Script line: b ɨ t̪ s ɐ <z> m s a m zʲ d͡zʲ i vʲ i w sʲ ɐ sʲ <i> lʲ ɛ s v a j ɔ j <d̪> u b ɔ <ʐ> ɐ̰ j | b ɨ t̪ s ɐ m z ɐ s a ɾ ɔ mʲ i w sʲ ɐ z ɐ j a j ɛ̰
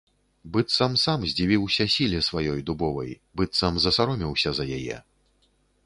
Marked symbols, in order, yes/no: no, yes, yes, no

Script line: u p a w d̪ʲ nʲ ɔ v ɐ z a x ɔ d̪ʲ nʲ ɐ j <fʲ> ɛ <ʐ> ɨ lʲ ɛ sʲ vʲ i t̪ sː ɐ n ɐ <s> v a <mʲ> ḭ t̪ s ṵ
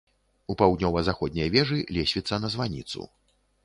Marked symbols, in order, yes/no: no, yes, no, no

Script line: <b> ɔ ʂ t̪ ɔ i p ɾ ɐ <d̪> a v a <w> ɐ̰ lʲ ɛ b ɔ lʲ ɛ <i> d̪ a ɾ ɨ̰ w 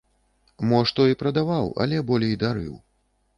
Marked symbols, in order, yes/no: no, yes, yes, no

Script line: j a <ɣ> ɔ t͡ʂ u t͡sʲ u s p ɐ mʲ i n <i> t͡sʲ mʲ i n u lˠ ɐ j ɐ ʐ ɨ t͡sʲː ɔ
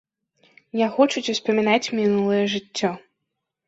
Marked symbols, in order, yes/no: no, no

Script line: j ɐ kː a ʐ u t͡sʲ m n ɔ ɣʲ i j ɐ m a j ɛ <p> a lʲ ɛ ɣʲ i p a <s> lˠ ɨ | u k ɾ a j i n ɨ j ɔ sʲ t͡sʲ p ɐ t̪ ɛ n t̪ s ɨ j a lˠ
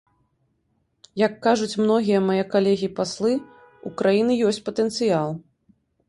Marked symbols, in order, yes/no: no, yes

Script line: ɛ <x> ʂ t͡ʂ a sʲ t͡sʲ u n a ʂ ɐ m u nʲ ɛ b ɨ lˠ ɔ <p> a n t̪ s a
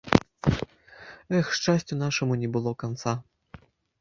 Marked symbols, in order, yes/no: yes, no

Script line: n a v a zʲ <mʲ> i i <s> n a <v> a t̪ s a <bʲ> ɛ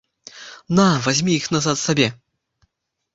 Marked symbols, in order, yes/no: yes, no, no, yes

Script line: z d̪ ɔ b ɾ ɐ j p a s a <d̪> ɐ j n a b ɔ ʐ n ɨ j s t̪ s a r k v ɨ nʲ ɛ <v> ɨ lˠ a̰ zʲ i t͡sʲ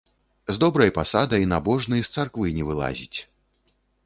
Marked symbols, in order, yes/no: yes, yes

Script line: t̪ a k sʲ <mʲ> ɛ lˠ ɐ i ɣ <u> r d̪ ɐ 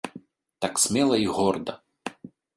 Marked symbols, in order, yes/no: yes, no

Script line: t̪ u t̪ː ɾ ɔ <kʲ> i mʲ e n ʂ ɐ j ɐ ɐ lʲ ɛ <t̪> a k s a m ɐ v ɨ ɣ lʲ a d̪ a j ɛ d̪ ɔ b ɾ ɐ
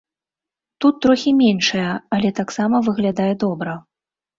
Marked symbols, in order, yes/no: no, yes

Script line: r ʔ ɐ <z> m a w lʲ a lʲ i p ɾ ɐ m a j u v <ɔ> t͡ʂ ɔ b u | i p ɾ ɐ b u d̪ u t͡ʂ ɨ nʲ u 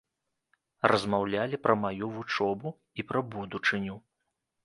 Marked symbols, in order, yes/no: yes, no

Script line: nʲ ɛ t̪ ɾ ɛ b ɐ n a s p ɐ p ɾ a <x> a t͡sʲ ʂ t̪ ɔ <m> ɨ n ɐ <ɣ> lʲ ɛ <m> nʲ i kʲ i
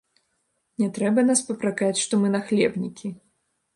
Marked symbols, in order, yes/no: no, yes, no, no

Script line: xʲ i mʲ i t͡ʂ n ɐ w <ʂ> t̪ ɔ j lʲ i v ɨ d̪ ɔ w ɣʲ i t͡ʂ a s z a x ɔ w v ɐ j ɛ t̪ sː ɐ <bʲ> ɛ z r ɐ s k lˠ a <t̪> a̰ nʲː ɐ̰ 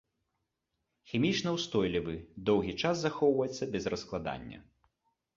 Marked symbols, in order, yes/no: no, yes, no

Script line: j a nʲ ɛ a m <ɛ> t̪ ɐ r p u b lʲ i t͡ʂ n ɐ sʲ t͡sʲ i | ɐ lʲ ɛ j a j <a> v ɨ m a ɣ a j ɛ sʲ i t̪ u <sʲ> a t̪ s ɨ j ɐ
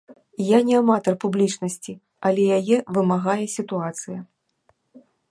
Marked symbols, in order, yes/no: no, no, no

